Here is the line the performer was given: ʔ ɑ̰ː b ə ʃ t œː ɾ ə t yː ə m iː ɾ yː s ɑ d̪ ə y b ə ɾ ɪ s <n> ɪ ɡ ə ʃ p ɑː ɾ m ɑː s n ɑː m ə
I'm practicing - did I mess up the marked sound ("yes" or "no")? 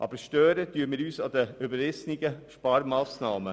no